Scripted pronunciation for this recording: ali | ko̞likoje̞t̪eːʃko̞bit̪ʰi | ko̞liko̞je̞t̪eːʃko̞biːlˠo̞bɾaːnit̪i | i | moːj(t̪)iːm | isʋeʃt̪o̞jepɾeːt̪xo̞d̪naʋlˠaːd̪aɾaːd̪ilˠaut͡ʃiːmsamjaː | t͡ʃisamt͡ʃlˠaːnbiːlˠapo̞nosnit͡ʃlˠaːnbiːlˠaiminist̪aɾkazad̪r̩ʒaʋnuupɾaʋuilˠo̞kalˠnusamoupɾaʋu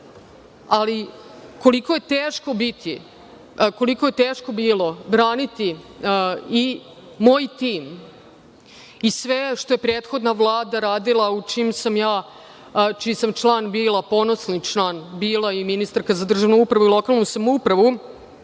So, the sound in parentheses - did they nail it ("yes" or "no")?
yes